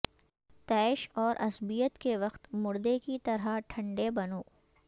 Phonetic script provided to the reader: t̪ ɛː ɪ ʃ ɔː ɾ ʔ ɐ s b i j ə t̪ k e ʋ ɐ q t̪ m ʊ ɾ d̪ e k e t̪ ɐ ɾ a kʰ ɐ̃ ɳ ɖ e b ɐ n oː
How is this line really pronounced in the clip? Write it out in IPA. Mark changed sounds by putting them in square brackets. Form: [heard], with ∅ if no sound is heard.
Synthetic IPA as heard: t̪ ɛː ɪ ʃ ɔː ɾ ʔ ɐ s b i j ə t̪ k e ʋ ɐ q t̪ m ʊ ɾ d̪ e k [i] t̪ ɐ ɾ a [ʈʰ] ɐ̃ ɳ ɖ e b ɐ n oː

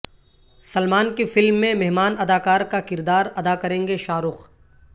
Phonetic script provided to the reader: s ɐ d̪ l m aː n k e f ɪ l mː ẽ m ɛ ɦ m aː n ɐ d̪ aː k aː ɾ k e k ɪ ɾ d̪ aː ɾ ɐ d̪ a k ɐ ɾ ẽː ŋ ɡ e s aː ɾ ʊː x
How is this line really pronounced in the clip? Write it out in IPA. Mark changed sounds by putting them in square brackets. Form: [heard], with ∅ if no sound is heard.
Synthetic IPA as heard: s ɐ [∅] l m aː n k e f ɪ l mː ẽ m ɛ ɦ m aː n ɐ d̪ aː k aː ɾ k [a] k ɪ ɾ d̪ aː ɾ ɐ d̪ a k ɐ ɾ ẽː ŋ ɡ e [ʃ] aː ɾ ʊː x

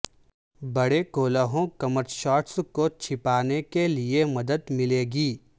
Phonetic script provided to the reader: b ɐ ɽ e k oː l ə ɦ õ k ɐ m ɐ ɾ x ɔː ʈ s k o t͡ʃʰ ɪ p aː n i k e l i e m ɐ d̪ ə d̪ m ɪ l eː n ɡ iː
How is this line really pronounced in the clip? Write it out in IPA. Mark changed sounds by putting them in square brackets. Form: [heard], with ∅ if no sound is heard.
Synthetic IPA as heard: b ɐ ɽ e k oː l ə ɦ õ k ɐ m [ə] ɾ [ʃ] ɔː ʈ s k o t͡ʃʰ ɪ p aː n [e] k e l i e m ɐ d̪ ə d̪ m ɪ l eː [∅] ɡ iː

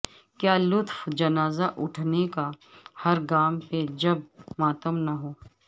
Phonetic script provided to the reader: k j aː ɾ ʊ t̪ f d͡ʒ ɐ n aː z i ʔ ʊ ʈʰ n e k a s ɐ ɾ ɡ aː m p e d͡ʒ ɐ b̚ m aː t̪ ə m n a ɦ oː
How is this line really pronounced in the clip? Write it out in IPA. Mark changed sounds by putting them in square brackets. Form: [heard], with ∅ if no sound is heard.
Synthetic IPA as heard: k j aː [l] ʊ t̪ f d͡ʒ ɐ n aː z [a] ʔ ʊ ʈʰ n e k a [h] ɐ ɾ ɡ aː m p e d͡ʒ ɐ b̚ m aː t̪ ə m n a ɦ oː

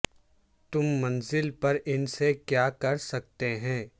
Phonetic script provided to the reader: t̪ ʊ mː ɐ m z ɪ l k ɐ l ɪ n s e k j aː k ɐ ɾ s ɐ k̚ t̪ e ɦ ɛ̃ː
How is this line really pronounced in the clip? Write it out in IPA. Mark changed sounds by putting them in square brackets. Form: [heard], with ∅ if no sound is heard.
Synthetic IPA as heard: t̪ ʊ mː ɐ [n] z ɪ l [p] ɐ [ɾ] ɪ n s e k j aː k ɐ ɾ s ɐ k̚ t̪ e ɦ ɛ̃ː

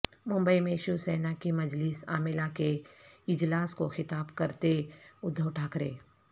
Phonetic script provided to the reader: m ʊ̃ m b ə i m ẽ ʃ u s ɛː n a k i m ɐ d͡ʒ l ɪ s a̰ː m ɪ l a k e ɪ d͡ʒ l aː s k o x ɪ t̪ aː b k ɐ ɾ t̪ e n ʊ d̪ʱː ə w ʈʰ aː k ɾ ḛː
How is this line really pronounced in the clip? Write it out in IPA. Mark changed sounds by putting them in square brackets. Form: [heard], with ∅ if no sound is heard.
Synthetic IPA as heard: m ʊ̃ m b ə i m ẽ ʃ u s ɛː n a k i m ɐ d͡ʒ l ɪ s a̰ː m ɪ l a k e ɪ d͡ʒ l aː s k o x ɪ t̪ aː b k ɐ ɾ t̪ e [∅] ʊ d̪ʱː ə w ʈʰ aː k ɾ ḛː

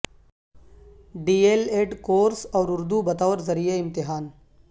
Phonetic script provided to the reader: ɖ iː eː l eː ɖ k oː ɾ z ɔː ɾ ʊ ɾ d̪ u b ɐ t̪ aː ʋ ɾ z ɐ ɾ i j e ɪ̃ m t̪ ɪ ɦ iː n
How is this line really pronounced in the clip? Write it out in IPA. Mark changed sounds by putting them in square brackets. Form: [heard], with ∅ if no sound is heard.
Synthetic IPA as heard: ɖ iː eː l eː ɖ k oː ɾ [s] ɔː ɾ ʊ ɾ d̪ u b ɐ t̪ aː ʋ ɾ z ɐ ɾ i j e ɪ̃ m t̪ ɪ ɦ [aː] n

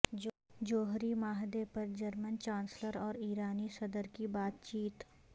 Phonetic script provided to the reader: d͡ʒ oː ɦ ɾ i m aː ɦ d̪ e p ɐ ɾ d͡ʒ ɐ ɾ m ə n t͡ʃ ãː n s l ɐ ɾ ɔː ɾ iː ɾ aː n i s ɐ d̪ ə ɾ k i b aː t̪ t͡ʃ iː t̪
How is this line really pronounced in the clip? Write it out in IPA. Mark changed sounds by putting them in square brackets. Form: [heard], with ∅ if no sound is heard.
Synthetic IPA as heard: d͡ʒ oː ɦ ɾ i m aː ɦ d̪ e p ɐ ɾ d͡ʒ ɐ ɾ m ə n t͡ʃ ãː n s l [ə] ɾ ɔː ɾ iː ɾ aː n i s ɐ d̪ ə ɾ k i b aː t̪ t͡ʃ iː t̪

